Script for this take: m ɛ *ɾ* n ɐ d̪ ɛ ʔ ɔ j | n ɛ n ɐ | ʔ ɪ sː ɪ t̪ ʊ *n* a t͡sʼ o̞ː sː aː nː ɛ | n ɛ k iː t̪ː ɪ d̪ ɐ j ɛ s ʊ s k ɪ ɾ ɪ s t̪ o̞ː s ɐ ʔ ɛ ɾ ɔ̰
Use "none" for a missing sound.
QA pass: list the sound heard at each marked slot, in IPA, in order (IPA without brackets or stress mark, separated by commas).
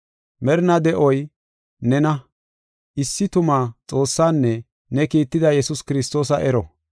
ɾ, m